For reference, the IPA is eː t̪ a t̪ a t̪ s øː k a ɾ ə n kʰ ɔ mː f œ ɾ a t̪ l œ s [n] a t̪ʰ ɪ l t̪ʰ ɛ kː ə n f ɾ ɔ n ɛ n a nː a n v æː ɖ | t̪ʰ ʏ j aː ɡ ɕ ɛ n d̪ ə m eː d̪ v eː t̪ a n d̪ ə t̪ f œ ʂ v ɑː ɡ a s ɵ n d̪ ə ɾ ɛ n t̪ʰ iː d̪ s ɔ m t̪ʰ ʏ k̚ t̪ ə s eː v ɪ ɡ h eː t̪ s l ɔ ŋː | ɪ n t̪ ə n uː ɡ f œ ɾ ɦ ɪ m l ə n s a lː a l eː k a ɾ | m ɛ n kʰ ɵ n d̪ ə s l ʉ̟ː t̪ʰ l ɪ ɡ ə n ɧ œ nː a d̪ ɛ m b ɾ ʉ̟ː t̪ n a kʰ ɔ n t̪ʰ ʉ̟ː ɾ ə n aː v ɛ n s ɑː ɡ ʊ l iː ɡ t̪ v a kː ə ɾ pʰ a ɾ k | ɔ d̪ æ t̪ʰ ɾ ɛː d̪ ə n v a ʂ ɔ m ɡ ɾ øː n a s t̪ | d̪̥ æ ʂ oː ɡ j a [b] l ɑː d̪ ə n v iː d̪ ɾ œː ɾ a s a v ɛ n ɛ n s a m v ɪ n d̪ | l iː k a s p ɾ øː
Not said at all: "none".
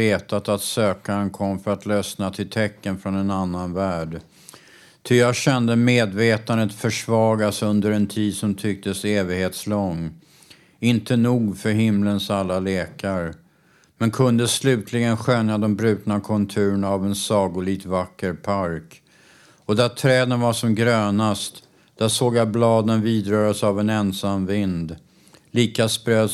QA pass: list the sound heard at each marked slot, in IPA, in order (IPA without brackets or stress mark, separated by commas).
n, b